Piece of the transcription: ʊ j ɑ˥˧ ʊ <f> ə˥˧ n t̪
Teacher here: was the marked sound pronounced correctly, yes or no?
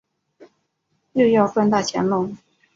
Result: yes